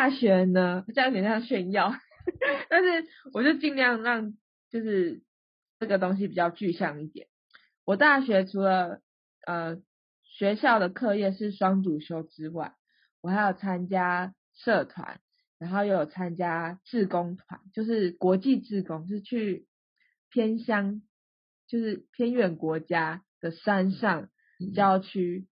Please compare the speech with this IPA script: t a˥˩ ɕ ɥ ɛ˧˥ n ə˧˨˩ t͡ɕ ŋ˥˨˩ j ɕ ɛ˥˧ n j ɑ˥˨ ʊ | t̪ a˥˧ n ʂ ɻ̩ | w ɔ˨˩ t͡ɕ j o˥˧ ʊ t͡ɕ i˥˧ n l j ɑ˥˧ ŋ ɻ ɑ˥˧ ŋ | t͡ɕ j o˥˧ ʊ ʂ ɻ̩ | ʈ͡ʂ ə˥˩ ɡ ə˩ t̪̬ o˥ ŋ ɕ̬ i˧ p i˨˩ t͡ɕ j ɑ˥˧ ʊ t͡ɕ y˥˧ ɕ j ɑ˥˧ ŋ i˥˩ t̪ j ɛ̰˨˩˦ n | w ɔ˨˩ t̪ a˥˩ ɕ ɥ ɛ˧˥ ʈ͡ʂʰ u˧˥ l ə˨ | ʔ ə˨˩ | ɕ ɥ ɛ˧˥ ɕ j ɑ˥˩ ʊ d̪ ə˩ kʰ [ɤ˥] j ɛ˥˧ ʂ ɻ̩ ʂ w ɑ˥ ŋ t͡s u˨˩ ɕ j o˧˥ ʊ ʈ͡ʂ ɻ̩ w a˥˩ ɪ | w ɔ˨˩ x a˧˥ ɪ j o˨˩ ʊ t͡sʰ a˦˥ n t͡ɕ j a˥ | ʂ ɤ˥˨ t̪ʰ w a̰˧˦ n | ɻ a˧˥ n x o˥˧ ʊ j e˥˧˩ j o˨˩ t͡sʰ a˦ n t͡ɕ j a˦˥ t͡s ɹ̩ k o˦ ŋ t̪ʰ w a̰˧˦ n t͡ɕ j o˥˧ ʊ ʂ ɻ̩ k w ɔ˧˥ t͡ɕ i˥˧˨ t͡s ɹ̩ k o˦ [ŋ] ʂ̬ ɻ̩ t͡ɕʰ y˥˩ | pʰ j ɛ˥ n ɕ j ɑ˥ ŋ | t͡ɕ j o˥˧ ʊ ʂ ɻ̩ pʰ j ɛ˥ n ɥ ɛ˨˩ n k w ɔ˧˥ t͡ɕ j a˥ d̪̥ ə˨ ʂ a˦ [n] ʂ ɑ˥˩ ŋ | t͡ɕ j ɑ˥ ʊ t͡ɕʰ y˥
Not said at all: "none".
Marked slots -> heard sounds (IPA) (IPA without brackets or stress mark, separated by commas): ɤ˥˧, ŋ, n